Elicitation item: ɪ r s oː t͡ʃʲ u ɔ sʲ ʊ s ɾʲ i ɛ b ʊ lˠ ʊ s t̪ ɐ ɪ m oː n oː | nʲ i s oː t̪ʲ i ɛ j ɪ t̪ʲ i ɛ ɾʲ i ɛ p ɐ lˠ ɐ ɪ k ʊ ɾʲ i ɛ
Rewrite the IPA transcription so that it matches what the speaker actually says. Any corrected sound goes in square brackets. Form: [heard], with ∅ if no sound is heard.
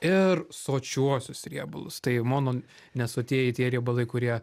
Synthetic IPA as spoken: ɪ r s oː t͡ʃʲ u ɔ sʲ ʊ s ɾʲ i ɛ b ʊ lˠ ʊ s t̪ ɐ ɪ m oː n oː | nʲ [ɛ] s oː t̪ʲ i ɛ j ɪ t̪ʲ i ɛ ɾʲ i ɛ [b] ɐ lˠ ɐ ɪ k ʊ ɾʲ i ɛ

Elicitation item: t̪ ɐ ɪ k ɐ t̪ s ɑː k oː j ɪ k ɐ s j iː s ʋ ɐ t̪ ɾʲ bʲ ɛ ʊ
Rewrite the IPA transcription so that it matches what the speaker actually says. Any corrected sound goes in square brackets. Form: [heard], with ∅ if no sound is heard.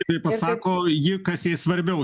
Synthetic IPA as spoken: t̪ ɐ ɪ [p] ɐ [∅] s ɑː k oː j ɪ k ɐ s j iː s ʋ ɐ [∅] ɾʲ bʲ ɛ ʊ

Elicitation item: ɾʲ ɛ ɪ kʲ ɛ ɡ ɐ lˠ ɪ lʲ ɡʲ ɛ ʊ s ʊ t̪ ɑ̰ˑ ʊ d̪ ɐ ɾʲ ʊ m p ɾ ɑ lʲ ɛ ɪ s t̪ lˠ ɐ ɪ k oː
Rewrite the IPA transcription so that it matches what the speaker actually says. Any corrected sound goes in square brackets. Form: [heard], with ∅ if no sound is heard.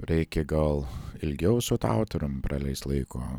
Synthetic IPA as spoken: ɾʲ ɛ ɪ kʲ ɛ ɡ ɐ lˠ ɪ lʲ ɡʲ ɛ ʊ s ʊ t̪ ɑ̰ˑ ʊ [t̪] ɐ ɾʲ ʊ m p ɾ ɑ lʲ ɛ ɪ s t̪ lˠ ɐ ɪ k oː

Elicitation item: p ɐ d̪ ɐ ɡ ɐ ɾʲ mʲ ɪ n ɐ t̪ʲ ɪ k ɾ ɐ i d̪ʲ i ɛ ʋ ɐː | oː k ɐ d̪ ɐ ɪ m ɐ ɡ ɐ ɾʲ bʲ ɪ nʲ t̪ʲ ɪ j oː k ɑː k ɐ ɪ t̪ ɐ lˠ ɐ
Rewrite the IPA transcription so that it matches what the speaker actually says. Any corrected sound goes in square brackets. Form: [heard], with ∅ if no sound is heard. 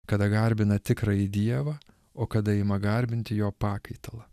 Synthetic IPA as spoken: [k] ɐ d̪ ɐ ɡ ɐ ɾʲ [bʲ] ɪ n ɐ t̪ʲ ɪ k ɾ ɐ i d̪ʲ i ɛ ʋ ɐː | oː k ɐ d̪ ɐ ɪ m ɐ ɡ ɐ ɾʲ bʲ ɪ nʲ t̪ʲ ɪ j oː [p] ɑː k ɐ ɪ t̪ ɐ lˠ ɐ

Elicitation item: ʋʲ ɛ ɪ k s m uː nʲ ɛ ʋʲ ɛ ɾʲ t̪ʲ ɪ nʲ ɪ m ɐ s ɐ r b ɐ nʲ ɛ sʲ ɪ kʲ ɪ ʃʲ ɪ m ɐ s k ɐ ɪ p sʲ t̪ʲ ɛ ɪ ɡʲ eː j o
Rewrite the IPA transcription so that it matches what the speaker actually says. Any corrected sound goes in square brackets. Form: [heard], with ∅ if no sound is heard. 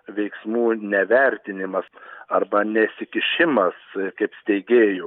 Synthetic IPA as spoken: ʋʲ ɛ ɪ k s m uː nʲ ɛ ʋʲ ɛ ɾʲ t̪ʲ ɪ nʲ ɪ m ɐ s ɐ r b ɐ nʲ ɛ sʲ ɪ kʲ ɪ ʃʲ ɪ m ɐ s k ɐ ɪ p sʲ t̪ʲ ɛ ɪ ɡʲ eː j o

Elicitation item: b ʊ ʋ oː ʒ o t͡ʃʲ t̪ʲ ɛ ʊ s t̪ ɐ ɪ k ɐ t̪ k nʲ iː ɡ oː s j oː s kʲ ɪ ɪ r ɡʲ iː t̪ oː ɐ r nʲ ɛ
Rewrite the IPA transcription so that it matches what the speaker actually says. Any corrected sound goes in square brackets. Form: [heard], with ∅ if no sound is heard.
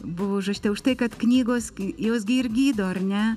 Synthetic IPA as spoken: b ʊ ʋ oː ʒ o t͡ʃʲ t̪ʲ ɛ ʊ [ʃ] t̪ ɐ ɪ k ɐ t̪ k nʲ iː ɡ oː s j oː s [ɡʲ] ɪ ɪ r ɡʲ iː [d̪] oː ɐ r nʲ ɛ

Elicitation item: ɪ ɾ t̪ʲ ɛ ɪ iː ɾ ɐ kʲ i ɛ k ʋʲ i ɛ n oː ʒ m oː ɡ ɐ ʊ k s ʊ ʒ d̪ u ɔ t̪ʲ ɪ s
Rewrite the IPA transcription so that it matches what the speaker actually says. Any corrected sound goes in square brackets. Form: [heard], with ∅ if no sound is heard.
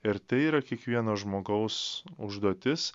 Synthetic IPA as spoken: ɪ ɾ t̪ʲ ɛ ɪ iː ɾ ɐ kʲ i ɛ k ʋʲ i ɛ n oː ʒ m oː ɡ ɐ ʊ [∅] s ʊ ʒ d̪ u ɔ t̪ʲ ɪ s

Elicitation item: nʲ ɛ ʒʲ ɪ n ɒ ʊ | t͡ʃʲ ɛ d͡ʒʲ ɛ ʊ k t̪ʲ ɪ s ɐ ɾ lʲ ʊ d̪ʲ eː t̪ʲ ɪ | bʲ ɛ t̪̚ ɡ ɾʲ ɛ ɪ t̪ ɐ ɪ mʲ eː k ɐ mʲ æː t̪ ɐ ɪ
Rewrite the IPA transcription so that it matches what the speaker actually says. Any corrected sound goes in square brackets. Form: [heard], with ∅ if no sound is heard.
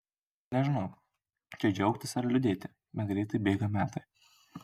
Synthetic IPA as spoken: nʲ ɛ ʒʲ ɪ n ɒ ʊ | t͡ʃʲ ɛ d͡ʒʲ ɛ ʊ k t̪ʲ ɪ s ɐ ɾ lʲ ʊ d̪ʲ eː t̪ʲ ɪ | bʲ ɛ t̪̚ ɡ ɾʲ ɛ ɪ t̪ ɐ ɪ [bʲ] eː [ɡ] ɐ mʲ æː t̪ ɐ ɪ

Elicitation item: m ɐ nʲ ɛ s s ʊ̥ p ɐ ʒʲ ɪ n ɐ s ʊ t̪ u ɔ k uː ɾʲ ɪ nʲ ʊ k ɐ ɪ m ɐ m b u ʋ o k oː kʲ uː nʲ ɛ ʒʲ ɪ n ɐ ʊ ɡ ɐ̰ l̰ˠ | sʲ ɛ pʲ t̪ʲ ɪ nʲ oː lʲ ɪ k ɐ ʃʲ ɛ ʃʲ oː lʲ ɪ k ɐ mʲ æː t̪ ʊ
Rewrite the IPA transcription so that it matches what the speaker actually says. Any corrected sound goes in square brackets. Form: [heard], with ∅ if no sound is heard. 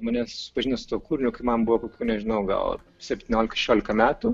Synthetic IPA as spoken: m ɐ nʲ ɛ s s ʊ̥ p ɐ ʒʲ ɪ n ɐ s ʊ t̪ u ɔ k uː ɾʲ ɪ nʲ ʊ k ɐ ɪ m ɐ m b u ʋ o k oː kʲ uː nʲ ɛ ʒʲ ɪ n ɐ ʊ ɡ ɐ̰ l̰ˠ | sʲ ɛ pʲ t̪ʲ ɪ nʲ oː lʲ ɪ k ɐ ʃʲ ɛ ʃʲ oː lʲ ɪ k ɐ mʲ æː t̪ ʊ

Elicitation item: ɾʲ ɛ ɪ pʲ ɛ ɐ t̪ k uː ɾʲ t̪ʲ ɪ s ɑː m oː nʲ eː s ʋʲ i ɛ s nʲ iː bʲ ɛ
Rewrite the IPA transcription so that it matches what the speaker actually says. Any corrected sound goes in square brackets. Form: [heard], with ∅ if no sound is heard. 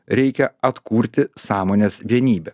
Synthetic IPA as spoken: ɾʲ ɛ ɪ [kʲ] ɛ ɐ t̪ k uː ɾʲ t̪ʲ ɪ s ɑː m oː nʲ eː s ʋʲ i ɛ [∅] nʲ iː bʲ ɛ

